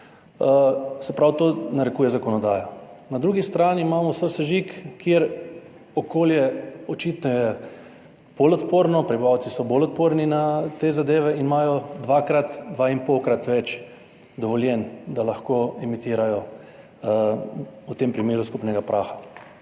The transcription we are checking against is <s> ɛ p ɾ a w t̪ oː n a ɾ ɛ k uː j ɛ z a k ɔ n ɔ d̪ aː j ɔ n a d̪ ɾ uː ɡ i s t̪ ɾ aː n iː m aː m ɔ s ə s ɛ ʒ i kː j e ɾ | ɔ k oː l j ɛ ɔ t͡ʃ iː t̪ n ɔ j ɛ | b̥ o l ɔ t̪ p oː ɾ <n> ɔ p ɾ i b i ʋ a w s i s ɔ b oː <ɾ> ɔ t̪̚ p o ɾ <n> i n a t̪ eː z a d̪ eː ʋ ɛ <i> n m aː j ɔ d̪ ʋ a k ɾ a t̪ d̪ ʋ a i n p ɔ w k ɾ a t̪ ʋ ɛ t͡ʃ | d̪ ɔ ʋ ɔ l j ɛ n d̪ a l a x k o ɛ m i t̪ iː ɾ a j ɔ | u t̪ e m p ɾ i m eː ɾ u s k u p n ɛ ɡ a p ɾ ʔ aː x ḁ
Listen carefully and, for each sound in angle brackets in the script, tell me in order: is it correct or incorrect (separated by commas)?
correct, correct, incorrect, correct, correct